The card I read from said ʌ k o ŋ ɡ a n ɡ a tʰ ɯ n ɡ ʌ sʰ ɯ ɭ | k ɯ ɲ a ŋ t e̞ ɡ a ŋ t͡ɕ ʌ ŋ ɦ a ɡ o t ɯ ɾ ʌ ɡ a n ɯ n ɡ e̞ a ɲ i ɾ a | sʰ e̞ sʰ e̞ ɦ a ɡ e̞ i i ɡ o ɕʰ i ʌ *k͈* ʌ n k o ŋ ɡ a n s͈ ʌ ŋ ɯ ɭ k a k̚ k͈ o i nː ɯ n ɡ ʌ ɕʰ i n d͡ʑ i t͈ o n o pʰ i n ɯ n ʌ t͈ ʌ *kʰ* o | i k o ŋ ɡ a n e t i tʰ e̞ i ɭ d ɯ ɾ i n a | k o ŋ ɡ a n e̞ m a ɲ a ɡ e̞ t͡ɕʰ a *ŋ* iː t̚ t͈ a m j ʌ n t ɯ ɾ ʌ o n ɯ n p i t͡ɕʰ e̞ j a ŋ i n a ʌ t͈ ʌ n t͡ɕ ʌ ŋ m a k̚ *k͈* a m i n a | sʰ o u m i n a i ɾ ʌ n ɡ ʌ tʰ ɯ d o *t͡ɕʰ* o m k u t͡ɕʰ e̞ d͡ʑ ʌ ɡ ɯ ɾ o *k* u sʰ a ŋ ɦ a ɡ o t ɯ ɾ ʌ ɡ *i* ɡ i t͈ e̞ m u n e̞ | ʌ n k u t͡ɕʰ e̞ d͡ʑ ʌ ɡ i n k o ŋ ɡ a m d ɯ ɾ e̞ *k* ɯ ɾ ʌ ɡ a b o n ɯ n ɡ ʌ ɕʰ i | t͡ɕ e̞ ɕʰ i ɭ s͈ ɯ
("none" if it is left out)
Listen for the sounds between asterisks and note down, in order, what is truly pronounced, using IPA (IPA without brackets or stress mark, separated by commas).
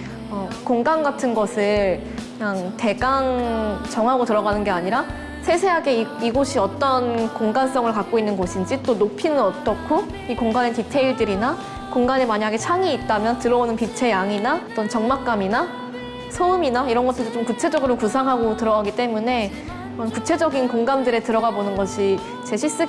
t͈, kʰ, ŋ, k͈, t͡ɕ, k, a, t